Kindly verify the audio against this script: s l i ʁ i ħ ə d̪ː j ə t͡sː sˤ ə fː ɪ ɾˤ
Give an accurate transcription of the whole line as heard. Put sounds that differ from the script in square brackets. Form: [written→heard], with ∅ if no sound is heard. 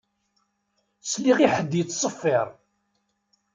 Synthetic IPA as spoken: s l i ʁ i ħ ə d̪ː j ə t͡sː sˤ ə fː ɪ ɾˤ

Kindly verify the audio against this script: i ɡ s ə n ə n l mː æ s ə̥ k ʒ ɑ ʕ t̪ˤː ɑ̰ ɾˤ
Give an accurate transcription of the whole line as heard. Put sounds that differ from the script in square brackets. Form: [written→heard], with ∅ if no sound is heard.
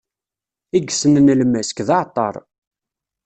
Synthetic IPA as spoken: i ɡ s ə n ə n l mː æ s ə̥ k [ʒ→ð] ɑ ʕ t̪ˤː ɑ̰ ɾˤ

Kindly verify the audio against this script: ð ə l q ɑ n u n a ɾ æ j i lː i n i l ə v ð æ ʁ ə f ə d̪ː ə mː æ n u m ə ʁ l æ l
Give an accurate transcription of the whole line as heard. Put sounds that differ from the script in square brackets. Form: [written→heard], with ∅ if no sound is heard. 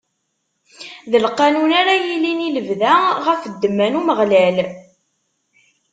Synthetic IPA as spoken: ð ə l q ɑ n u n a ɾ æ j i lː i n i l ə v ð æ ʁ ə f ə d̪ː ə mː æ n u m ə ʁ l æ l

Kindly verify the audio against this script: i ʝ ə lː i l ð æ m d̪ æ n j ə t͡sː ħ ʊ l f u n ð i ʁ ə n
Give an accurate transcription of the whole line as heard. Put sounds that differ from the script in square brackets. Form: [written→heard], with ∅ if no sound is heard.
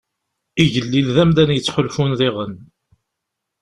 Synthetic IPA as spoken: i ʝ ə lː i l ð æ m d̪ æ n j ə t͡sː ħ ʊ l f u n ð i ʁ ə n

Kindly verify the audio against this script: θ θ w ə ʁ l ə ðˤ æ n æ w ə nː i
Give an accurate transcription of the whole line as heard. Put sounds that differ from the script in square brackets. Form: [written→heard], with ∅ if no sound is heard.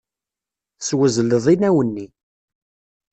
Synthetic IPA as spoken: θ [θ→s] w ə [ʁ→z] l ə ðˤ [æ→i] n æ w ə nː i

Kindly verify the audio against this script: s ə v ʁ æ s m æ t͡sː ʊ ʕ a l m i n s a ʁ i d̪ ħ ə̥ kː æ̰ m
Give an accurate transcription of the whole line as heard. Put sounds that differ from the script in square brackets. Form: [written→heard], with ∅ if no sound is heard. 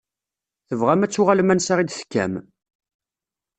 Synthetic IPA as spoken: [s→θ] ə v ʁ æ [s→∅] m æ t͡sː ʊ [ʕ→ʁ] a l m [i→æ] n s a ʁ i d̪ [ħ→θ] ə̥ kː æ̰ m

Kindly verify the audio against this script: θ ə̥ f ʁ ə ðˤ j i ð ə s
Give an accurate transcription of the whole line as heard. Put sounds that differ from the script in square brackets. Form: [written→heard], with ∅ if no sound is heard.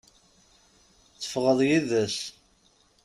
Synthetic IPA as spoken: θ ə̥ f ʁ ə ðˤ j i ð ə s

